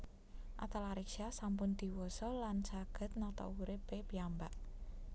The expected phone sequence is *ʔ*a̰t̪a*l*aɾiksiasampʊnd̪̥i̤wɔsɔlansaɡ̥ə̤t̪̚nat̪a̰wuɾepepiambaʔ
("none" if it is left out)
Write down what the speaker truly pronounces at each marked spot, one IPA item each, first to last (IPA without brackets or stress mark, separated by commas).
ʔ, l